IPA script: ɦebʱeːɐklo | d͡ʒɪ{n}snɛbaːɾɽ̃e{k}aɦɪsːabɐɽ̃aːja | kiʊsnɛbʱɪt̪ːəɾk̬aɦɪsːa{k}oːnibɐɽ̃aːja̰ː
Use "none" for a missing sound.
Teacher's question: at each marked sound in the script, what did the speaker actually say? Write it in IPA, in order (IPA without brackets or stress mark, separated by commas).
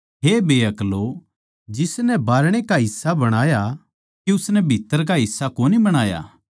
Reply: none, k, k